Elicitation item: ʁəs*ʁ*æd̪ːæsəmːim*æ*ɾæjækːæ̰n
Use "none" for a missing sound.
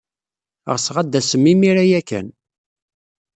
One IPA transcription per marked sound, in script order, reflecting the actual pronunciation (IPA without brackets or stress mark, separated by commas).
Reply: ʁ, i